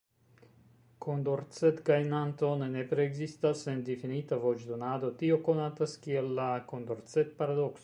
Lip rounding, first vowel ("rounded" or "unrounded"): rounded